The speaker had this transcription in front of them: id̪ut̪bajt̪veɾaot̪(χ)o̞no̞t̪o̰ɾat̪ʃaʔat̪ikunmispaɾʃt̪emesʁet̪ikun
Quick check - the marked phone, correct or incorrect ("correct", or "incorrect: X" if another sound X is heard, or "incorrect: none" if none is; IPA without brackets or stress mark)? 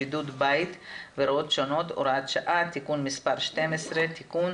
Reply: incorrect: ʃ